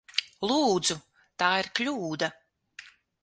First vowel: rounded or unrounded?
rounded